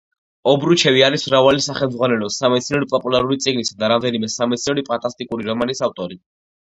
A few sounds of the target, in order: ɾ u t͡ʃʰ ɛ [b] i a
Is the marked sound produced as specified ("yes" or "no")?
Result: no